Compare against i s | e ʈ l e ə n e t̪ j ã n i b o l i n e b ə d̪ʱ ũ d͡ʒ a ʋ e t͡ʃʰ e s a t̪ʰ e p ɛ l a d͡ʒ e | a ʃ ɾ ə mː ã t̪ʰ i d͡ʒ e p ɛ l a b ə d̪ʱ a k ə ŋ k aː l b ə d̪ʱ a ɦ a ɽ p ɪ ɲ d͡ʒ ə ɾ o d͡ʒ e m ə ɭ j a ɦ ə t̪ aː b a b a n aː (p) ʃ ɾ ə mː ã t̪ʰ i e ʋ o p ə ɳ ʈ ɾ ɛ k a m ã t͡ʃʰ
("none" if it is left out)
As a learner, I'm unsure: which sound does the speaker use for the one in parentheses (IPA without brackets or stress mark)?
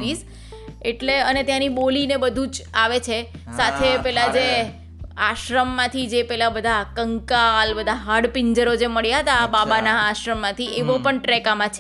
none